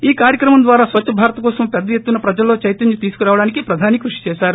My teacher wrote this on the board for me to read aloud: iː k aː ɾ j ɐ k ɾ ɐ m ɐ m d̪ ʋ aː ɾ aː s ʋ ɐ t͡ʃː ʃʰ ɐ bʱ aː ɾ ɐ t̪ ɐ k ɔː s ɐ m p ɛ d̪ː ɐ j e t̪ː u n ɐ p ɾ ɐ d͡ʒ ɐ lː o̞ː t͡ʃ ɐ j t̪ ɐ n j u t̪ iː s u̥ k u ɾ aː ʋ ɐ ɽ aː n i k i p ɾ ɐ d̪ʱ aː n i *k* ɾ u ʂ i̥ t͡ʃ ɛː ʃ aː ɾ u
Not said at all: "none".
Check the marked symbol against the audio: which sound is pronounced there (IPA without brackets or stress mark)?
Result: k